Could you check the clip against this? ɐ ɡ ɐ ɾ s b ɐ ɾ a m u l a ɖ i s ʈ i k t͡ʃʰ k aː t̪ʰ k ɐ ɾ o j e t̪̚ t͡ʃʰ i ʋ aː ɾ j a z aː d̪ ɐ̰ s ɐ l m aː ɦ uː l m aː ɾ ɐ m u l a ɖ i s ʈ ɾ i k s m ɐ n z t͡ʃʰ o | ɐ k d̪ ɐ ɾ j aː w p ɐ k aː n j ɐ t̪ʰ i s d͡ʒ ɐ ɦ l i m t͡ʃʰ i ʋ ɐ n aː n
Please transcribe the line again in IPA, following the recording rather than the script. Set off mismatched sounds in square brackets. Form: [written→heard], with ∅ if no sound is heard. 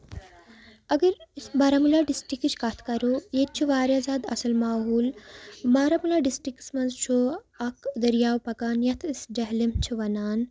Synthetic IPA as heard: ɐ ɡ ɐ ɾ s b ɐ ɾ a m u l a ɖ i s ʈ i k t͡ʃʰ k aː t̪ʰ k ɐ ɾ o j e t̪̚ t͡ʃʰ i ʋ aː ɾ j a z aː d̪ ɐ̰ s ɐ l m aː ɦ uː l m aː ɾ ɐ m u l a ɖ i s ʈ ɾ i k s m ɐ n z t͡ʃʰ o | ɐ k d̪ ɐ ɾ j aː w p ɐ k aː n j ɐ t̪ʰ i s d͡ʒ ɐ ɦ l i m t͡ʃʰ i ʋ ɐ n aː n